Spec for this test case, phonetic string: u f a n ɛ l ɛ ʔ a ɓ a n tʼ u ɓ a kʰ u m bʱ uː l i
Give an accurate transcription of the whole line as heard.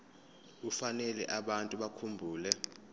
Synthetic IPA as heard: u f a n ɛ l ɛ ʔ a ɓ a n tʼ u ɓ a kʰ u m bʱ uː l ɛ